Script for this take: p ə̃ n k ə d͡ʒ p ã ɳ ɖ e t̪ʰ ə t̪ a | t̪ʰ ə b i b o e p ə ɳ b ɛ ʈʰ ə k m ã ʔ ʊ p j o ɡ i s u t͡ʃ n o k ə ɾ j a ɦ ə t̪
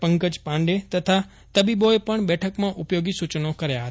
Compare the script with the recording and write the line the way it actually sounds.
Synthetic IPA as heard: p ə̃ ŋ k ə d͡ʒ p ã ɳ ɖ e t̪ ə t̪ʰ a | t̪ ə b i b o e p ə ɳ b ɛ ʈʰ ə k m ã ʔ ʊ p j o ɡ i s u t͡ʃ n o k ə ɾ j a ɦ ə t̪